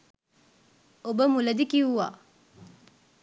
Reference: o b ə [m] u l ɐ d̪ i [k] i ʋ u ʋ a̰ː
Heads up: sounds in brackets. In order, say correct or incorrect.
correct, correct

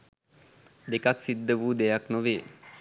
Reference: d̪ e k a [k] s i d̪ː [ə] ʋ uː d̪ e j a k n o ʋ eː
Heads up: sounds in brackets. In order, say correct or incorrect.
correct, correct

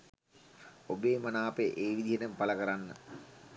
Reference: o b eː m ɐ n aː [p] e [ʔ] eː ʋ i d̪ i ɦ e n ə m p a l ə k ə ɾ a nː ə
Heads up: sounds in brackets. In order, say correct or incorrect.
correct, correct

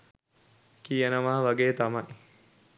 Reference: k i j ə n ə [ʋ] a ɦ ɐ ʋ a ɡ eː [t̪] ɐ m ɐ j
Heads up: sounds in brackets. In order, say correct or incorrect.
correct, correct

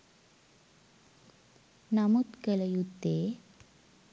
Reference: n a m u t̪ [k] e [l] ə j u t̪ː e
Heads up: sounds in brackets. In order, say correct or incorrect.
correct, correct

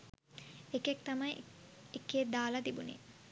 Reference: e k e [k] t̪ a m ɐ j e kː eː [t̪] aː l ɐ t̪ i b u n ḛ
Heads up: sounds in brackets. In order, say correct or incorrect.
correct, incorrect: d̪

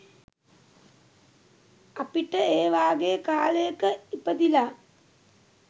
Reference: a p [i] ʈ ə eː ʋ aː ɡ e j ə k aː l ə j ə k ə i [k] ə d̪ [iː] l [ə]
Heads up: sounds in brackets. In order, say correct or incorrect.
correct, incorrect: p, incorrect: i, incorrect: a

